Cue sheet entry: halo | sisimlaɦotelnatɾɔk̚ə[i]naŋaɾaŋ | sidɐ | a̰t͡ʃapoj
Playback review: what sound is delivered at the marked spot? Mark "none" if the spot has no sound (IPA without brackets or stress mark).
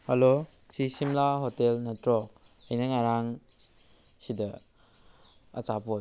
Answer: j